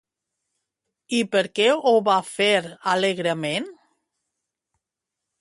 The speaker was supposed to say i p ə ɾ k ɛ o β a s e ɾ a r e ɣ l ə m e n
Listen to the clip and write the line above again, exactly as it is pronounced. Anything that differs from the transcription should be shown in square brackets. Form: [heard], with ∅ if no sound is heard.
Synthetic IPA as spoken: i p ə ɾ k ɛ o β a [f] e ɾ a [l] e ɣ [ɾ] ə m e n